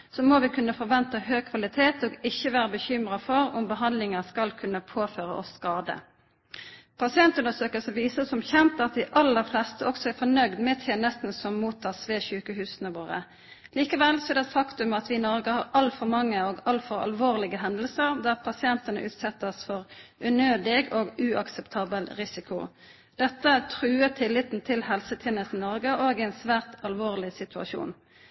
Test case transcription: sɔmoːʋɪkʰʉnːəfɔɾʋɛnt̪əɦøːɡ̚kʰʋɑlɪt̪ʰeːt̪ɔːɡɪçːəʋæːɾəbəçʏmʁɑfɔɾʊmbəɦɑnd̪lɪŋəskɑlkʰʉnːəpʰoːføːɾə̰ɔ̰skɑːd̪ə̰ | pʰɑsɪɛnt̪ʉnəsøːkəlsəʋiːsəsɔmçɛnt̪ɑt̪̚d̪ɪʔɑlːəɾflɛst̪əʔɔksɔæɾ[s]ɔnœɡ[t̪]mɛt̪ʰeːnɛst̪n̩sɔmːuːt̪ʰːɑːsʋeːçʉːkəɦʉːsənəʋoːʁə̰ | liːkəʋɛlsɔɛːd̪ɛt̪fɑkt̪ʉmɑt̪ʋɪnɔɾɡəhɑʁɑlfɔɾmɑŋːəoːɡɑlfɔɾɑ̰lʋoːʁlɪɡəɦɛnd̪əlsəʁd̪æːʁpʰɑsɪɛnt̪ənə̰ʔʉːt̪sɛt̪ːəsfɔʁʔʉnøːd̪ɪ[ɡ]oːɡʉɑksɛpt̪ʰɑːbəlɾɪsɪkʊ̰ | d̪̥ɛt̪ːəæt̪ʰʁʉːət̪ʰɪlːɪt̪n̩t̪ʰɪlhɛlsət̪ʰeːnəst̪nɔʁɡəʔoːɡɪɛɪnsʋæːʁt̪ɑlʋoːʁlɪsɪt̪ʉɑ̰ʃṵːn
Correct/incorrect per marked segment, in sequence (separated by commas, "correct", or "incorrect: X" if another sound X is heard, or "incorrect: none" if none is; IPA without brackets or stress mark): incorrect: f, incorrect: d̪, correct